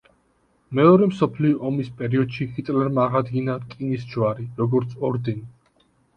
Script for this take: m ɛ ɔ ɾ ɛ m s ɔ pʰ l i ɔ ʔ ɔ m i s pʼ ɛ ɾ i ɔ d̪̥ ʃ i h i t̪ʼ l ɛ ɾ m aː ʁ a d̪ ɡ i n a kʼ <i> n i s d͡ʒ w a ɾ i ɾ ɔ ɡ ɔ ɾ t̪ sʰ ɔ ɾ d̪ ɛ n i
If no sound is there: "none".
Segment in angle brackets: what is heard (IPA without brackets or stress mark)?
i